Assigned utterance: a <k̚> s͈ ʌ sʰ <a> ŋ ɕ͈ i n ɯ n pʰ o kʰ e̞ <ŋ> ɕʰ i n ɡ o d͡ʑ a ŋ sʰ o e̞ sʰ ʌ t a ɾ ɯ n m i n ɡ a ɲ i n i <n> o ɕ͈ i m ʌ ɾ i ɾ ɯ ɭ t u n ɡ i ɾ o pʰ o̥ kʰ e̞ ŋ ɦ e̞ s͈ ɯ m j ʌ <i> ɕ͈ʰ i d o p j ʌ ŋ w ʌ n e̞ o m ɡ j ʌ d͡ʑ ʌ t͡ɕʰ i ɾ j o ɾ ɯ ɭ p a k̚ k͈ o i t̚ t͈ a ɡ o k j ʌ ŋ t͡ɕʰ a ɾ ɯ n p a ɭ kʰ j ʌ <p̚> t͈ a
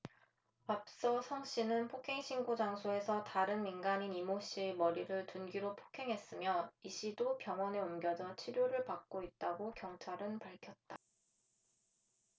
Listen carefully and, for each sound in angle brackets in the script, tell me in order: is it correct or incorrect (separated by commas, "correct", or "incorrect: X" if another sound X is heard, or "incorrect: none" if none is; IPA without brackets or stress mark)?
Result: incorrect: p̚, incorrect: ʌ, correct, incorrect: m, correct, incorrect: t̚